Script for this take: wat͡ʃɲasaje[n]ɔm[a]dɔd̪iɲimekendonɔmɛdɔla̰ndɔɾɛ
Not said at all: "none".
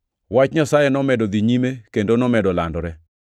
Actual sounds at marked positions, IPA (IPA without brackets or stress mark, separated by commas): n, ɛ